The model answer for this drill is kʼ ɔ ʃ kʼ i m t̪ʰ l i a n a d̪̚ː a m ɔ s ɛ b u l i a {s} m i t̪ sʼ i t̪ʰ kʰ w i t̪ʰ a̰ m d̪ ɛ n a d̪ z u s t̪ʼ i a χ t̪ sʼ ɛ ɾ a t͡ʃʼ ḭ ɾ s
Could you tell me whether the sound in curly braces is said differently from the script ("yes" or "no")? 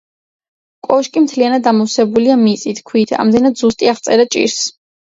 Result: yes